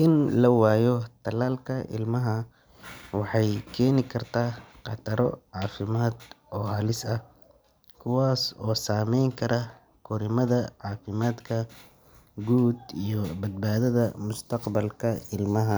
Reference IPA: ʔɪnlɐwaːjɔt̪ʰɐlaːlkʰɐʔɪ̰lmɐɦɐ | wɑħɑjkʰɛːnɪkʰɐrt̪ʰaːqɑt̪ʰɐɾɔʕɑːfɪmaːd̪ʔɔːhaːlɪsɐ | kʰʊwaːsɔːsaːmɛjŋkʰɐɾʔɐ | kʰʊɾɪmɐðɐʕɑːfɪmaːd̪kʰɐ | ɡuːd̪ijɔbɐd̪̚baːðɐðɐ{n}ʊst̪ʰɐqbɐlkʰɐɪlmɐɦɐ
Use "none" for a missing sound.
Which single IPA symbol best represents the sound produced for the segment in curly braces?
m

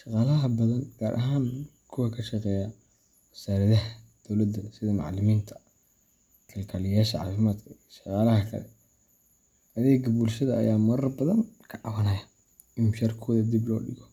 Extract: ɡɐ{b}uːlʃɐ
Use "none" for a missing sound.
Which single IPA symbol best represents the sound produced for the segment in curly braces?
b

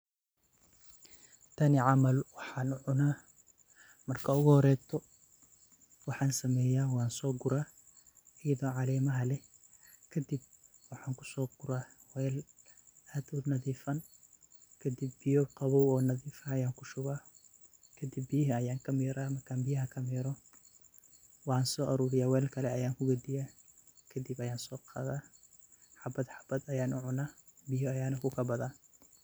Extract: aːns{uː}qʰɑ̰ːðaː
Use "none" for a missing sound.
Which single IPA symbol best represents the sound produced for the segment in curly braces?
ɔː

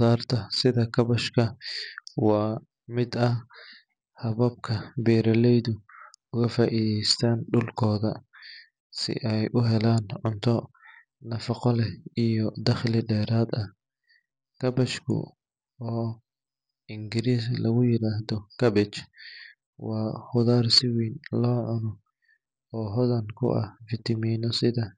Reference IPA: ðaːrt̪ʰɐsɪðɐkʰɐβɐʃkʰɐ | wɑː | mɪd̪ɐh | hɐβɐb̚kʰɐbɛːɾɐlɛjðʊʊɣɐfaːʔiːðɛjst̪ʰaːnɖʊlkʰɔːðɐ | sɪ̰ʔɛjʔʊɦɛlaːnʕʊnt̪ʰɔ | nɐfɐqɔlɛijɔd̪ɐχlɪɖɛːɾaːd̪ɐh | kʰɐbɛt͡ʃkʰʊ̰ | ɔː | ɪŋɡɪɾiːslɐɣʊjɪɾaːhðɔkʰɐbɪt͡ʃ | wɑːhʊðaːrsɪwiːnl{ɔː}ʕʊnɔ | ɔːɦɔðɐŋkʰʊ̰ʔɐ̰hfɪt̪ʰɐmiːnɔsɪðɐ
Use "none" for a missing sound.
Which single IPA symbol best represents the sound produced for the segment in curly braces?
ɔː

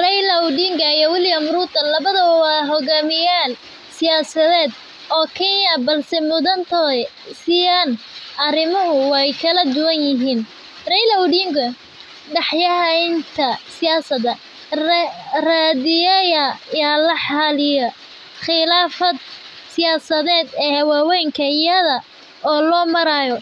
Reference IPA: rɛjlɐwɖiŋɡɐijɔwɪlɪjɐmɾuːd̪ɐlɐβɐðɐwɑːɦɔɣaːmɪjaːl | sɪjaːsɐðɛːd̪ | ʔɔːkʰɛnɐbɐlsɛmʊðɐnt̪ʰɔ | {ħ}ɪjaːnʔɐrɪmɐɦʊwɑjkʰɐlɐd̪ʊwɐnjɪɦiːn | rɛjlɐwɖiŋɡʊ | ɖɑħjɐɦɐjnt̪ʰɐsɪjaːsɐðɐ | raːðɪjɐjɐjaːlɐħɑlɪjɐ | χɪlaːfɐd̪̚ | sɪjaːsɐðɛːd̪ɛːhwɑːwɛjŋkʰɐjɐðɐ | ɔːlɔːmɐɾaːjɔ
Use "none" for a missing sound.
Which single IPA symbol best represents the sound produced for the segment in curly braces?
s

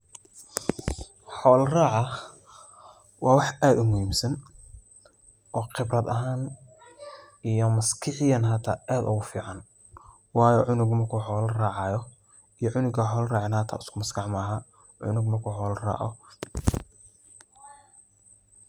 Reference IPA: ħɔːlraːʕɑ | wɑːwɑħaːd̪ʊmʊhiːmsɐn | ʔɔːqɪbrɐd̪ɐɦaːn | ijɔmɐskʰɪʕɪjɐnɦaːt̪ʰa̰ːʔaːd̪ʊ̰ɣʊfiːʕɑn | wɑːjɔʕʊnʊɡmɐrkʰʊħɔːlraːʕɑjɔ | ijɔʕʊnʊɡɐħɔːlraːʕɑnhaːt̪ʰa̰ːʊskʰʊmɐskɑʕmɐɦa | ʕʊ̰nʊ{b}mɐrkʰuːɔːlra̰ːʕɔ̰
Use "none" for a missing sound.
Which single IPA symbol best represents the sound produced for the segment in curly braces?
ɡ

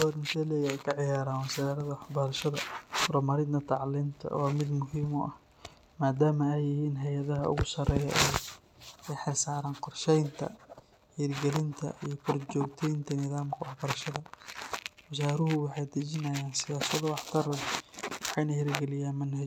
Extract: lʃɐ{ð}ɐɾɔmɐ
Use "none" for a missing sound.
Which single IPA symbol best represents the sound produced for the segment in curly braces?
ð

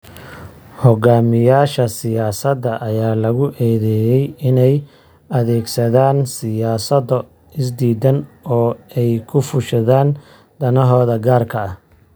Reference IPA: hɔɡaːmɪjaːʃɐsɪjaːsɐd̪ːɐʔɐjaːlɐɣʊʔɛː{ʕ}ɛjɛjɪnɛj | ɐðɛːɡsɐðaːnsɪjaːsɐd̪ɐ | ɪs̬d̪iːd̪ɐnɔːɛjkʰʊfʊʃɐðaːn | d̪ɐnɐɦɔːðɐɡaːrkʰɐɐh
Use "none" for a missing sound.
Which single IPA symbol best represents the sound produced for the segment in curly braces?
ð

